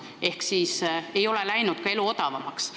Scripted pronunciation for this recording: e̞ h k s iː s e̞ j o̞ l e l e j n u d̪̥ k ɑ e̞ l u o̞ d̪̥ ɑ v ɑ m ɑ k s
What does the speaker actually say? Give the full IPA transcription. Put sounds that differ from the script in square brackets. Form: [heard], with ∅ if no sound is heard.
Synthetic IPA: e̞ h k s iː s e̞ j o̞ l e l [æ] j n u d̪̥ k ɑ e̞ l u o̞ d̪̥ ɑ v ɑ m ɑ k s